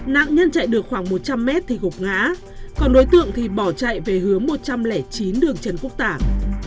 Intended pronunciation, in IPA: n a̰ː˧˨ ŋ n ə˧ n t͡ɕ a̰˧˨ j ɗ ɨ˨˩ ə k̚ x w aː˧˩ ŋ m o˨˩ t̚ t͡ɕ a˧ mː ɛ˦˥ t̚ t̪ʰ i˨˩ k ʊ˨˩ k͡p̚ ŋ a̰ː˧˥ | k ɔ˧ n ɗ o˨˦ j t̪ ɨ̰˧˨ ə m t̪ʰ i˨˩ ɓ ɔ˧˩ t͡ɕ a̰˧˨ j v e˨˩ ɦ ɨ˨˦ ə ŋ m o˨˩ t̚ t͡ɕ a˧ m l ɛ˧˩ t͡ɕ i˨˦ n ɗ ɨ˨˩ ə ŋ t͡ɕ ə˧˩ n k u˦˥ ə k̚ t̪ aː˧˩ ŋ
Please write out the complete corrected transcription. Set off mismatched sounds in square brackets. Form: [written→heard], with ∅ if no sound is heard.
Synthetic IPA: n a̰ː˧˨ ŋ [n→ɲ] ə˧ n t͡ɕ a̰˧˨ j ɗ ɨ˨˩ ə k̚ x w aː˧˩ ŋ m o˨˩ t̚ t͡ɕ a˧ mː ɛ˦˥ t̚ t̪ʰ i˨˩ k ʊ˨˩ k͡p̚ ŋ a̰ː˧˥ | k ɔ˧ n ɗ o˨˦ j t̪ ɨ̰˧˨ ə [m→ŋ] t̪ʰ i˨˩ ɓ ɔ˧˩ t͡ɕ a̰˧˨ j v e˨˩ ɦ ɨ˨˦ ə ŋ m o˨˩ t̚ t͡ɕ a˧ m l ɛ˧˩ t͡ɕ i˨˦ n ɗ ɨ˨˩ ə ŋ t͡ɕ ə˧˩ n k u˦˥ ə k̚ t̪ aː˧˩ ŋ